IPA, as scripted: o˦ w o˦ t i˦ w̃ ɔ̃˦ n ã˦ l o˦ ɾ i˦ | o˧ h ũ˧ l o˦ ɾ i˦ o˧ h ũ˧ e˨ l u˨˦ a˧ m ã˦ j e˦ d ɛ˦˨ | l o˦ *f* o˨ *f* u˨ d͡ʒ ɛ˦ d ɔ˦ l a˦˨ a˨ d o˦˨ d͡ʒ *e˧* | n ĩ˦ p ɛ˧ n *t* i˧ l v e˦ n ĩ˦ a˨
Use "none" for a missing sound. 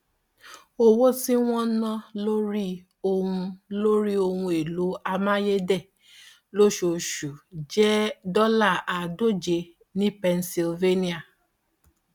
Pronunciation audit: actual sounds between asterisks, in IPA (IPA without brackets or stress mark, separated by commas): ʃ, ʃ, e˧, s